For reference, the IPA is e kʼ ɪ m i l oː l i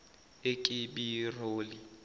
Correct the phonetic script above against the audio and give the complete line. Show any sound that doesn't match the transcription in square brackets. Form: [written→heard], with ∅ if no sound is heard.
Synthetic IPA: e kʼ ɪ [m→b] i [l→r] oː l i